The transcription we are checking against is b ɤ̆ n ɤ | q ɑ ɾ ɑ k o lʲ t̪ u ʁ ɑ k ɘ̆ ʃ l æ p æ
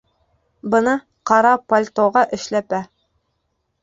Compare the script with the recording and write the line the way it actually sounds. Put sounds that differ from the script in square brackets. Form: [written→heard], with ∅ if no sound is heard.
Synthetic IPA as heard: b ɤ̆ n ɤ | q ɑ ɾ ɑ [k→p] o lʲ t̪ [u→o] ʁ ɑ [k→ʔ] ɘ̆ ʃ l æ p æ